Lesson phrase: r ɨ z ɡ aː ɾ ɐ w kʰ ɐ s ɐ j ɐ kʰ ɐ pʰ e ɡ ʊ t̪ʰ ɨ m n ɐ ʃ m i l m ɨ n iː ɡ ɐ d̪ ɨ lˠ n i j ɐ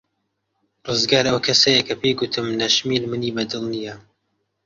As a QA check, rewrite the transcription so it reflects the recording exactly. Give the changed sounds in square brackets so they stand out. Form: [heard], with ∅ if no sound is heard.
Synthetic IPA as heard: r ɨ z ɡ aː ɾ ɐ w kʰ ɐ s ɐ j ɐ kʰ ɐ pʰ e ɡ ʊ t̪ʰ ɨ m n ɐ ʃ m i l m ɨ n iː [b] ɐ d̪ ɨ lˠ n i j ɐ